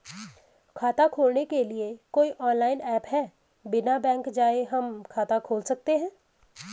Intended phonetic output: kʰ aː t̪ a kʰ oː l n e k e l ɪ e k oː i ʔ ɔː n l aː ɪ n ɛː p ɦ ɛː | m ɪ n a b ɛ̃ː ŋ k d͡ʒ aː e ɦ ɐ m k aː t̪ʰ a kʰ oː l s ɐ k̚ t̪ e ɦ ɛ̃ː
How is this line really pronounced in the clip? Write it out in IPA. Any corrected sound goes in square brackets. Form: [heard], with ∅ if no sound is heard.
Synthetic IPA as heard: kʰ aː t̪ a kʰ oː l n e k e l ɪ e k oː i ʔ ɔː n l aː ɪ n ɛː p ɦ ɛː | [b] ɪ n a b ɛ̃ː ŋ k d͡ʒ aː e ɦ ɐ m [kʰ] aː [t̪] a kʰ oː l s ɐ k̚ t̪ e ɦ ɛ̃ː

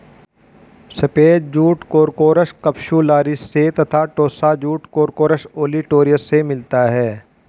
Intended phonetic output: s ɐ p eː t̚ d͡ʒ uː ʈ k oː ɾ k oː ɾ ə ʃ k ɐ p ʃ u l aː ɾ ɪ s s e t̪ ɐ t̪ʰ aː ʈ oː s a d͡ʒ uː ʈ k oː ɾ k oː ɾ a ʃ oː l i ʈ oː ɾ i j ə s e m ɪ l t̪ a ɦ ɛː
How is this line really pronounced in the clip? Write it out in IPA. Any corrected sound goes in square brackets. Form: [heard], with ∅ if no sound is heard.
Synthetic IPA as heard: s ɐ p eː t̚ d͡ʒ uː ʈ k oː ɾ k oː ɾ ə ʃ k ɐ p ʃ u l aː ɾ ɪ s s e t̪ ɐ t̪ʰ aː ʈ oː s a d͡ʒ uː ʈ k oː ɾ k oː ɾ [ə] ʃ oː l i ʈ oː ɾ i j ə s e m ɪ l t̪ a ɦ ɛː

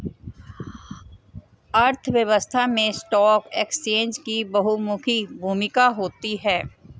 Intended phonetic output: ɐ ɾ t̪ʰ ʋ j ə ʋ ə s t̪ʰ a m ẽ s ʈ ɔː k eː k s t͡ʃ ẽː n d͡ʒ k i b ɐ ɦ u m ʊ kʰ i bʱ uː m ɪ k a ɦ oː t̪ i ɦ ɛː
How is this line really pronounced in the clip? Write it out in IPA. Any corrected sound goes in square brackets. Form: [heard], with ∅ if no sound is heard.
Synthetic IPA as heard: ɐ ɾ t̪ʰ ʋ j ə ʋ ə s t̪ʰ a m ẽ s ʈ ɔː k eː k s t͡ʃ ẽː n d͡ʒ k i b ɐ ɦ u m ʊ kʰ i bʱ uː m ɪ k a ɦ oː t̪ i ɦ ɛː

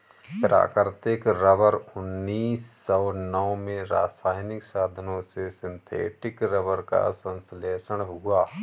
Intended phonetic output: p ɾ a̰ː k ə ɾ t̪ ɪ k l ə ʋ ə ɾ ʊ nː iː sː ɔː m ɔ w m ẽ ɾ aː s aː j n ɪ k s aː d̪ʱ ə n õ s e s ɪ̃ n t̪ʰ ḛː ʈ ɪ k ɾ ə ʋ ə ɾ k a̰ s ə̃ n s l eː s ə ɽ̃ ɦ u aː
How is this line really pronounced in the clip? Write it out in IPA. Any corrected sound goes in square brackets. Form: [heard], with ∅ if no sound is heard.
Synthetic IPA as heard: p ɾ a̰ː k ə ɾ t̪ ɪ k [ɾ] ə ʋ ə ɾ ʊ nː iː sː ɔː [n] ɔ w m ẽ ɾ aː s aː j n ɪ k s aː d̪ʱ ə n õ s e s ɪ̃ n t̪ʰ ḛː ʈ ɪ k ɾ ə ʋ ə ɾ k a̰ s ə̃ n s l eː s ə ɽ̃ ɦ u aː

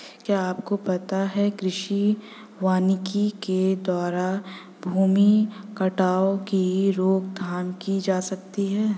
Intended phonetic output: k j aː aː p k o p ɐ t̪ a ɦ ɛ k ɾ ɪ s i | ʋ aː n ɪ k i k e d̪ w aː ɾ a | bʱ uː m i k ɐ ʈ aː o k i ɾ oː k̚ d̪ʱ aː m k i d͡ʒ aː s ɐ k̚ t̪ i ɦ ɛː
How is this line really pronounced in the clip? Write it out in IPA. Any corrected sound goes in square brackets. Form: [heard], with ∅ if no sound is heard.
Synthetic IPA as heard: k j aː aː p k o p ɐ t̪ a ɦ ɛ k ɾ ɪ [ʃ] i | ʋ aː n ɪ k i k e d̪ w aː ɾ a | bʱ uː m i k ɐ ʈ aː o k i ɾ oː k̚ d̪ʱ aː m k i d͡ʒ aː s ɐ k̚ t̪ i ɦ ɛː

